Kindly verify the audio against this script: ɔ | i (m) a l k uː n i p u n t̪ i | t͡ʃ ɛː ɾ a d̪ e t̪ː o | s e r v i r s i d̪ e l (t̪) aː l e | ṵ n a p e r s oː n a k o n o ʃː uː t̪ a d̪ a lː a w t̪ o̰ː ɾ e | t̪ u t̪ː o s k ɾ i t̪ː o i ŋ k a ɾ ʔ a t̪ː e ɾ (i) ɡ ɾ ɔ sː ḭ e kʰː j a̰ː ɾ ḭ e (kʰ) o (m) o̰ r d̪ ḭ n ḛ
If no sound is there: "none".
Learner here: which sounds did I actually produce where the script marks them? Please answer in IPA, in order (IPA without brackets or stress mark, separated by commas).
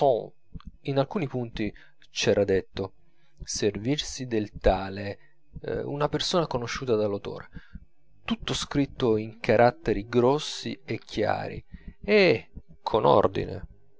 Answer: n, t̪, i, kʰ, n